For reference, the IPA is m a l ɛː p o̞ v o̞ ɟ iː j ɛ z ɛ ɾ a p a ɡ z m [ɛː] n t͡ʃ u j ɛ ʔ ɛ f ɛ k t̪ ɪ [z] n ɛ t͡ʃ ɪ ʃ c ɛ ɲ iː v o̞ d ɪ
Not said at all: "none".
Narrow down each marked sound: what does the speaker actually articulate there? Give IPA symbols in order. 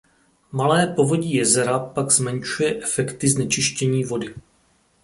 ɛ, z

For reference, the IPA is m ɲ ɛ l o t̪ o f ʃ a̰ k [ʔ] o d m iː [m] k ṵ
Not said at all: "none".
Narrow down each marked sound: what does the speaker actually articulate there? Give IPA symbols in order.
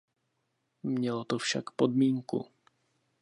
p, ŋ

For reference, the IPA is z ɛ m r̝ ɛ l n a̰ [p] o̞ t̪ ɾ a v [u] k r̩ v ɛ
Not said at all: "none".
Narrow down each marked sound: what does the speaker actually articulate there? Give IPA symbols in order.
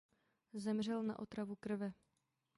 ʔ, u

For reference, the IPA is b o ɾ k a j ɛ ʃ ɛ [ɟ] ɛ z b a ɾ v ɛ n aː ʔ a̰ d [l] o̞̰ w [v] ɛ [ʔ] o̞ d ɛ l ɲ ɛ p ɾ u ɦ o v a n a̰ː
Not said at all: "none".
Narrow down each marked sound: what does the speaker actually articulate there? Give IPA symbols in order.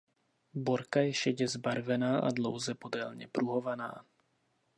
ɟ, l, z, p

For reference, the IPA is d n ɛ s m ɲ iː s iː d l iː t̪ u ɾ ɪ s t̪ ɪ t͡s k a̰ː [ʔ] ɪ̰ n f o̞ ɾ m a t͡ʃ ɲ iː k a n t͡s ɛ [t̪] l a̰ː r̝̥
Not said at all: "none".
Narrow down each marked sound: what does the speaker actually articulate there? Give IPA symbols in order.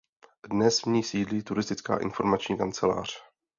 ʔ, none

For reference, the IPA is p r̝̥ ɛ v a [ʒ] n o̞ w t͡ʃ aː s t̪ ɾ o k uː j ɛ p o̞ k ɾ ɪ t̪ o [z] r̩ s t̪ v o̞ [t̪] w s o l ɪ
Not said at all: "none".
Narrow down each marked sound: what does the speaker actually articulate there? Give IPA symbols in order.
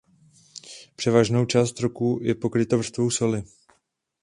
ʒ, v, none

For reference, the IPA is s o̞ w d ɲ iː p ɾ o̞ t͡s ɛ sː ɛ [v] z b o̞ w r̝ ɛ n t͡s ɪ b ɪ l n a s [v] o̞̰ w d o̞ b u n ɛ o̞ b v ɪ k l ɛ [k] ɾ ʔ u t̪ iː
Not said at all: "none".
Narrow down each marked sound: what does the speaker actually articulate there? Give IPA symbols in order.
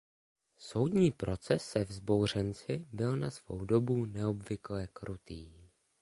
v, v, k

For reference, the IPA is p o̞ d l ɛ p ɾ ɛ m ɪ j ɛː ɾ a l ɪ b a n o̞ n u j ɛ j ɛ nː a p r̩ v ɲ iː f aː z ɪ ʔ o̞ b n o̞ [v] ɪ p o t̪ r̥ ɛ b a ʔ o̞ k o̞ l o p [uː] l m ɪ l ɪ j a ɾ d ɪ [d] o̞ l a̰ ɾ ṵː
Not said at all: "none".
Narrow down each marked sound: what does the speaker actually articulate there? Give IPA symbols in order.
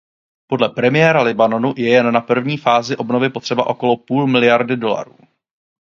v, uː, d

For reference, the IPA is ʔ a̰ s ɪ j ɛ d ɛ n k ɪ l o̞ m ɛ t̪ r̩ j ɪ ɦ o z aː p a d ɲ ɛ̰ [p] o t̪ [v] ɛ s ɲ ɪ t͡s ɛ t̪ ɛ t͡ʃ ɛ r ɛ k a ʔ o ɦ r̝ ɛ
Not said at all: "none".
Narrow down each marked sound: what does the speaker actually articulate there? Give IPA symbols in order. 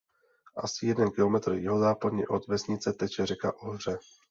ʔ, v

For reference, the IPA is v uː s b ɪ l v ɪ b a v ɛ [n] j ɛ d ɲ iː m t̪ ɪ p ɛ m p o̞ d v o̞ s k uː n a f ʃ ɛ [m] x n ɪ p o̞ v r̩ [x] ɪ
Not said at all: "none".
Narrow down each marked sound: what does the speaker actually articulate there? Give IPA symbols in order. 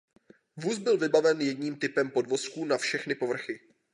n, none, x

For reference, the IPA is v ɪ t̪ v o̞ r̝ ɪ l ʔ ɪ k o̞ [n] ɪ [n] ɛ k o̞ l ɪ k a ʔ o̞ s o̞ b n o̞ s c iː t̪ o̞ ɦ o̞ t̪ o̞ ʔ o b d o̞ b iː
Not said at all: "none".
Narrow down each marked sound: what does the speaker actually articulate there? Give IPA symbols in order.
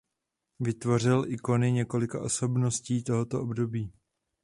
n, ɲ

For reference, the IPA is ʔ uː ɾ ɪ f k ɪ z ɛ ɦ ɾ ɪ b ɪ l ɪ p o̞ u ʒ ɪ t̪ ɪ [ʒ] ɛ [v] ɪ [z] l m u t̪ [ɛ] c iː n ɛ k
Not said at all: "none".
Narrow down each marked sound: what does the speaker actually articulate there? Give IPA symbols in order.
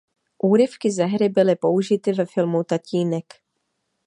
v, f, none, a

